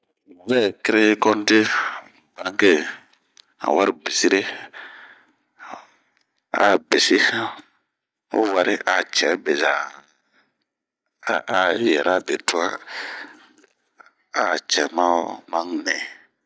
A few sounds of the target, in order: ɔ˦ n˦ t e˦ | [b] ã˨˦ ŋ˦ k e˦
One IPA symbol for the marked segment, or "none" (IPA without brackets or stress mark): b